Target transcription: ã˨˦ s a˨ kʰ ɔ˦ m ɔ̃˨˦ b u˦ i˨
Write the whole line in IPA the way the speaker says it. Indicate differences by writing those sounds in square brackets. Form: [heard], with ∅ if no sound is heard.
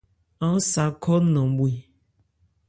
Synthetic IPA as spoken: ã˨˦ s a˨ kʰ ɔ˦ [n] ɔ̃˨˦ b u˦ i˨